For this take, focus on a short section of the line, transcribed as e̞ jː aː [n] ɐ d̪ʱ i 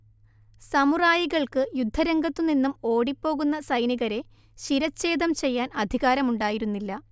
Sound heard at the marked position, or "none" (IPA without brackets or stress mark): n